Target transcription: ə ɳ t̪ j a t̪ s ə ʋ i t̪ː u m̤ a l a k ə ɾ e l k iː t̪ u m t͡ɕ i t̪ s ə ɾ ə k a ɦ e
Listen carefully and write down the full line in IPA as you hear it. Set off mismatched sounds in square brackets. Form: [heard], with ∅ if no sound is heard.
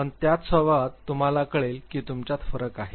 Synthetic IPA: ə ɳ t̪ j a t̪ s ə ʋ [a] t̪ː u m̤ a l a k ə [ɭ] e l k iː t̪ u m t͡ɕ [a] t̪ [f] ə ɾ ə k a ɦ e